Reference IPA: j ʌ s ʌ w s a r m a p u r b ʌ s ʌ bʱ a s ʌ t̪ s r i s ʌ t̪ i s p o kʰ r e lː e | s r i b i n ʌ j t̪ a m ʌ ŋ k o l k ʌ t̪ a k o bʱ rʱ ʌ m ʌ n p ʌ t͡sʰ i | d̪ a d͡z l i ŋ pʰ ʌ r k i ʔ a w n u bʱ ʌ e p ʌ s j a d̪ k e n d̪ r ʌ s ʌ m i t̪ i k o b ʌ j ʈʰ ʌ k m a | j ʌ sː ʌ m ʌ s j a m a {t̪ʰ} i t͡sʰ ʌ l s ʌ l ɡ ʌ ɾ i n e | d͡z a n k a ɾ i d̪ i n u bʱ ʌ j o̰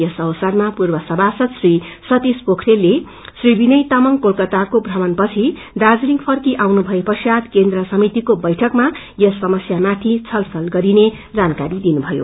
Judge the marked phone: correct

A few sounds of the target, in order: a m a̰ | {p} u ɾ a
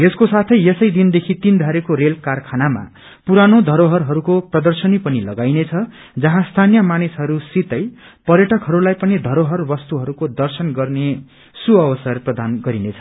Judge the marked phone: correct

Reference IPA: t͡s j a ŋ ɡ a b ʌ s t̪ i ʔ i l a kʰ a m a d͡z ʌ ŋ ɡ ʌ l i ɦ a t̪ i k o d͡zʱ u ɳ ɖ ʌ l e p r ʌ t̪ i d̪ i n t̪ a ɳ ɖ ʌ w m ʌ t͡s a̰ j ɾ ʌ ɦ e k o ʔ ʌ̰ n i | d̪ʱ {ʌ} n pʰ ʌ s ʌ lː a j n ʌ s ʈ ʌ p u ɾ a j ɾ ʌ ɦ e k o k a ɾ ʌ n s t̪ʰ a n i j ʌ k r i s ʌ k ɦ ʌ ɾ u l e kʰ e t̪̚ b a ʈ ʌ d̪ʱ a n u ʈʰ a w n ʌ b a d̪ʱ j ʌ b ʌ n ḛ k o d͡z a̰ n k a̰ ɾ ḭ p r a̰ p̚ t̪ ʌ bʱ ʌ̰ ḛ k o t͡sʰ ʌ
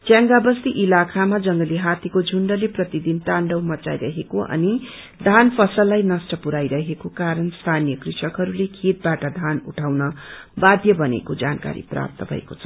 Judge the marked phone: incorrect: a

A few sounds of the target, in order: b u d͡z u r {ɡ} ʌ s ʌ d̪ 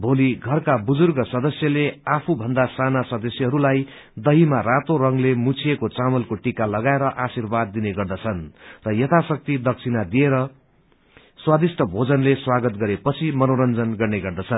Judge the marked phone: correct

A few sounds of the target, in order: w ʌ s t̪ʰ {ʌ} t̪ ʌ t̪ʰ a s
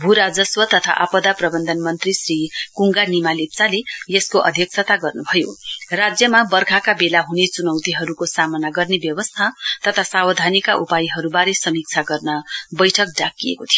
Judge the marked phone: incorrect: a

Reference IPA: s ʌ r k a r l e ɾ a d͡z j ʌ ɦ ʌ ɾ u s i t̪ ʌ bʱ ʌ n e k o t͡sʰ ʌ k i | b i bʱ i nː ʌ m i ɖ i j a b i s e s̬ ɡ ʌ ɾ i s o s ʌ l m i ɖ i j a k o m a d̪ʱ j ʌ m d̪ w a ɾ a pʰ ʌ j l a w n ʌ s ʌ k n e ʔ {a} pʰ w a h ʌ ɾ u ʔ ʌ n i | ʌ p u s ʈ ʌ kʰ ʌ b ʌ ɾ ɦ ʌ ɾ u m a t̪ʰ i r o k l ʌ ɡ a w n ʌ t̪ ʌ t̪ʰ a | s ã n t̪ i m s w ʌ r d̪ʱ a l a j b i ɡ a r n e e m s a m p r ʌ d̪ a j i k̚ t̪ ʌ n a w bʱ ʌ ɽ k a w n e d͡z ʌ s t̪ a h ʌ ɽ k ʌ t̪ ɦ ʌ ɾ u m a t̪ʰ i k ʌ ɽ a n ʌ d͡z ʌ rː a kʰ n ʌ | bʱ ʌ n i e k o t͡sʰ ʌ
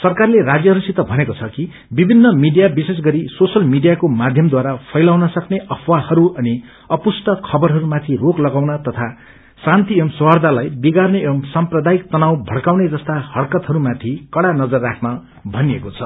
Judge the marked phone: incorrect: ʌ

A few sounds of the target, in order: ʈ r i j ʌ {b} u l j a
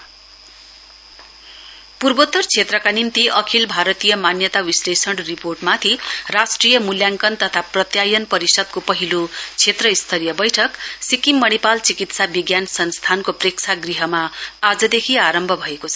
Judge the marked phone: incorrect: m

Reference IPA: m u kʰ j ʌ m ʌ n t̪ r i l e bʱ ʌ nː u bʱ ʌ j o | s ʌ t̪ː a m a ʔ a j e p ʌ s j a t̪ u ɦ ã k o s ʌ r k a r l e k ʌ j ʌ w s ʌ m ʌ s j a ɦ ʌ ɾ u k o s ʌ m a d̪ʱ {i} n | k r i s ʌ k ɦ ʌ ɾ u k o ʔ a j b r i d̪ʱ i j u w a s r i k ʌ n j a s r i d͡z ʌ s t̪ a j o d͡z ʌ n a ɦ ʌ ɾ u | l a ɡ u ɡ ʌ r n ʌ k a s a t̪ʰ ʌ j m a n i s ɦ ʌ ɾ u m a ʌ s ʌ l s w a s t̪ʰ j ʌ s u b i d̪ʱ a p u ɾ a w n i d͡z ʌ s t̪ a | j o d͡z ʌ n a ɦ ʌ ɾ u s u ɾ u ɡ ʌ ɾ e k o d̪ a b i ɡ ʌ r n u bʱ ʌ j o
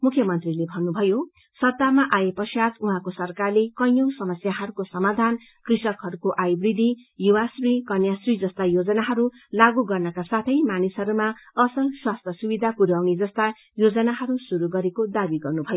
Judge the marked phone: incorrect: a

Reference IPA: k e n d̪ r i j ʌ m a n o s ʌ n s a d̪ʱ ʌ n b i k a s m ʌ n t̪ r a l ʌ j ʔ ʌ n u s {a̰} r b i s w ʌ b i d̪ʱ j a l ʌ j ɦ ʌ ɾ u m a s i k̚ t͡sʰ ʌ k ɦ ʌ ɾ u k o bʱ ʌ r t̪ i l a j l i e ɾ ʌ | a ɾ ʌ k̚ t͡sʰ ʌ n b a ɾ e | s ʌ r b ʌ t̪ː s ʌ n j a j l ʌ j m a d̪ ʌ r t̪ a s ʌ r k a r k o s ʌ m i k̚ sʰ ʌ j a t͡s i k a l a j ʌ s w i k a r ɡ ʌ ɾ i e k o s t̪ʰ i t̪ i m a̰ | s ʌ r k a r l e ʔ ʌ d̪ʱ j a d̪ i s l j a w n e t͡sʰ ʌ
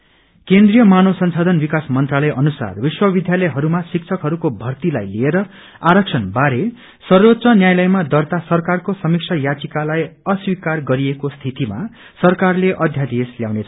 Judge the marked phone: correct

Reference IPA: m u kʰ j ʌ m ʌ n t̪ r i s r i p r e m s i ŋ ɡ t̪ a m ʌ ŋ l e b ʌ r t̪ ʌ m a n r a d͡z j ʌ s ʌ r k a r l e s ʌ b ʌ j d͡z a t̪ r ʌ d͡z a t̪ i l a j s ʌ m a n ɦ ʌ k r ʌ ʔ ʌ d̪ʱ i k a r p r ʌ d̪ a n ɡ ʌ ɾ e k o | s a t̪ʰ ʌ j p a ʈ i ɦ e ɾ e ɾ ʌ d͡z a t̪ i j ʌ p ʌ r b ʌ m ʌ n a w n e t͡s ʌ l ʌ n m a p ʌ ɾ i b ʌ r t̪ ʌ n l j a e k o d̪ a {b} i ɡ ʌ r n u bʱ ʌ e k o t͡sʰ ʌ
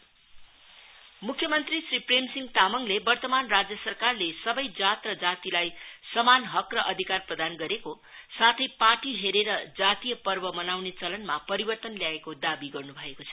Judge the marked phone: correct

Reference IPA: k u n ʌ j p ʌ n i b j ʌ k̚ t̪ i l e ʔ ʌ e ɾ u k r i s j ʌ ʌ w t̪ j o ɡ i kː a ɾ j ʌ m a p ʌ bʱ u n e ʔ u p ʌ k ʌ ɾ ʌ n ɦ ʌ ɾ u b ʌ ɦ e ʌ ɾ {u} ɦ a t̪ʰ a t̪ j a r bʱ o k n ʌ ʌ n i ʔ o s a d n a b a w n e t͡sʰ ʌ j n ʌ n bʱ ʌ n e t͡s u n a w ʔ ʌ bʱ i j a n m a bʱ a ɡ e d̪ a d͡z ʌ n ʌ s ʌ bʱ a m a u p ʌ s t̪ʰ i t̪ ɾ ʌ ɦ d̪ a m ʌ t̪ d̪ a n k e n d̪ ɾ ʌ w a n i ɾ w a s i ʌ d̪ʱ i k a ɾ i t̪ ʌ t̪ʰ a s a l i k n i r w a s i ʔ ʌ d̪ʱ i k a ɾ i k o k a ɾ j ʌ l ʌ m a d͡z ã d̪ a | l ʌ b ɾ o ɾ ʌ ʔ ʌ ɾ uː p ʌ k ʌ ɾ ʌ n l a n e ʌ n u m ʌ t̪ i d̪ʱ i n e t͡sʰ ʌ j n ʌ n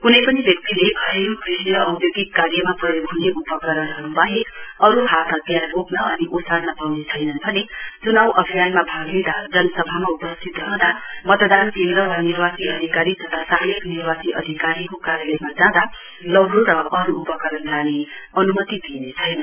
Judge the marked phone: correct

